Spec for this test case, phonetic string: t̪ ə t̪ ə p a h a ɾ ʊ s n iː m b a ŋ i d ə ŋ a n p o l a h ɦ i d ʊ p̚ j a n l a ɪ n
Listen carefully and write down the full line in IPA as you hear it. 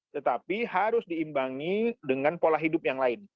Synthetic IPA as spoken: t̪ ə t̪ a p i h a ɾ ʊ s d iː m b a ŋ i d ə ŋ a n p o l a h ɦ i d ʊ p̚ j a ŋ l a ɪ n